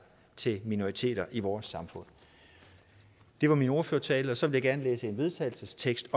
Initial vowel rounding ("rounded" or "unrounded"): unrounded